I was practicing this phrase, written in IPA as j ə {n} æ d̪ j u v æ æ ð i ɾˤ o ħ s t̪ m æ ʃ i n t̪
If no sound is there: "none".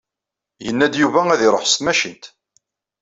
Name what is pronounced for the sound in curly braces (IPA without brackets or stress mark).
nː